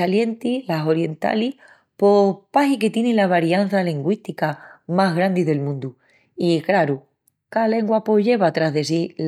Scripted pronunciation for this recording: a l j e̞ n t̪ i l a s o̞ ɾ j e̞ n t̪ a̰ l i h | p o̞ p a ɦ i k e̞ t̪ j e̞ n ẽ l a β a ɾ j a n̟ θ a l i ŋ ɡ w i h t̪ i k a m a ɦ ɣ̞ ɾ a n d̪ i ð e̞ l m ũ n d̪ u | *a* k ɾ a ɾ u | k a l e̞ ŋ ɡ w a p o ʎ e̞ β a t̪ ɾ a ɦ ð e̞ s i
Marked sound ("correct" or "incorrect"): incorrect